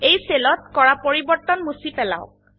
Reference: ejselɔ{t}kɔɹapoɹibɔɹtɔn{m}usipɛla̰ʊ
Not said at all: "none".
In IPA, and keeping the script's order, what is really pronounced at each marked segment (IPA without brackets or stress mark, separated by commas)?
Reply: t, m